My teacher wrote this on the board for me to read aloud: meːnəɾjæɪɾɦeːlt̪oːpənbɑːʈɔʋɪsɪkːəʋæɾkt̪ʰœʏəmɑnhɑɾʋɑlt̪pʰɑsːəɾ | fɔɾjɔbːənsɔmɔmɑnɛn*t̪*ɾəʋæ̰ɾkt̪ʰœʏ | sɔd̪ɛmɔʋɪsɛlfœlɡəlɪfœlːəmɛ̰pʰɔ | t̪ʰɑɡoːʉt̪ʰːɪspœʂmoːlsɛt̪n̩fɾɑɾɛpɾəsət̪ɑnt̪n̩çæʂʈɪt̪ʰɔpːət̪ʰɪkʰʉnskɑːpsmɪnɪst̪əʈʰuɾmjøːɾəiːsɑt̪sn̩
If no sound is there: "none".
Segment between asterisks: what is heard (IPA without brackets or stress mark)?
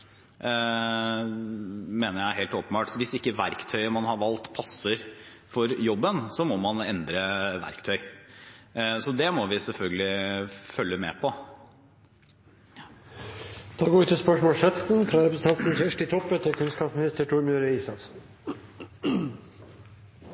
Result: d̪